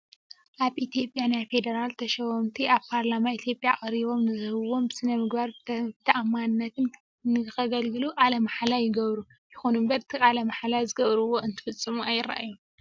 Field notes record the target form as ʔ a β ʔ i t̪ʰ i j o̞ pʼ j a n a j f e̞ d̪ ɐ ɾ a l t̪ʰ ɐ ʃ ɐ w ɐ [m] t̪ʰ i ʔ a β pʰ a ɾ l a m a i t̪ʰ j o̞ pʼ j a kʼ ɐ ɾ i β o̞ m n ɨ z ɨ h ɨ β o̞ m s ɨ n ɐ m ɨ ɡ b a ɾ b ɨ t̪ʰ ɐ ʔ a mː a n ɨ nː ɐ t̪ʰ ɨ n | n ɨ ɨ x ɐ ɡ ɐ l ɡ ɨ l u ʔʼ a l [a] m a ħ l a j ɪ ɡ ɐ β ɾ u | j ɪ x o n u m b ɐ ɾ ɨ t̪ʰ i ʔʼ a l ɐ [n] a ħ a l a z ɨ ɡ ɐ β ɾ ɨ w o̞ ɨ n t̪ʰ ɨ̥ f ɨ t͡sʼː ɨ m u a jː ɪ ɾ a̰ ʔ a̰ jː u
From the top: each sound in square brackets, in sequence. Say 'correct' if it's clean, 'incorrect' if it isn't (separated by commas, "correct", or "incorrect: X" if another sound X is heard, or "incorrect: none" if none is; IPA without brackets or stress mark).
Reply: correct, incorrect: ɐ, incorrect: m